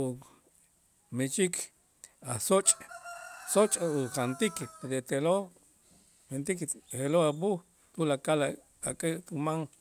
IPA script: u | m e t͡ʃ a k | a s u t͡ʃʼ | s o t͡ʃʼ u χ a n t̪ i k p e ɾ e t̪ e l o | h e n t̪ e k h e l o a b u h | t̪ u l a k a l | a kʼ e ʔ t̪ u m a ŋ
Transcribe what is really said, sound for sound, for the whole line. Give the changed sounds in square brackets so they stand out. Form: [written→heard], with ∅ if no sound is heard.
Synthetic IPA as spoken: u | m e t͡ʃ [a→i] k | a s [u→o] t͡ʃʼ | s o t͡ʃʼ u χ a n t̪ i k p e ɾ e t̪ e l o | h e n t̪ [e→i] k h e l o a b u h | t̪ u l a k a l | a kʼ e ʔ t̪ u m a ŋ